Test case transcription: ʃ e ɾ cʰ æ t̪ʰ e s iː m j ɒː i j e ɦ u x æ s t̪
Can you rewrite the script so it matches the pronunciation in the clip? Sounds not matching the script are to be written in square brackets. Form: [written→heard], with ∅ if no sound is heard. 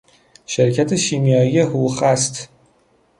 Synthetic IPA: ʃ e ɾ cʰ æ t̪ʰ e [s→ʃ] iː m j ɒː i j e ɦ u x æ s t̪